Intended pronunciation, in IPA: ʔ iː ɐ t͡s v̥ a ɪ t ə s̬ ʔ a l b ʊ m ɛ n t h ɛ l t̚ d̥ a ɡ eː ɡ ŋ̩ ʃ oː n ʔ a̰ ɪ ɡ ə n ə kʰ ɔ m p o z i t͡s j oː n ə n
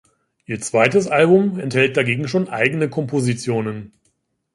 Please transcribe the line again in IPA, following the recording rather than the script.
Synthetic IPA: ʔ iː ɐ t͡s v̥ a ɪ t ə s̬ ʔ a l b ʊ m ɛ n t h ɛ l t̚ d̥ a ɡ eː ɡ ŋ̩ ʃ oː n ʔ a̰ ɪ ɡ ə n ə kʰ ɔ m p o z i t͡s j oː n ə n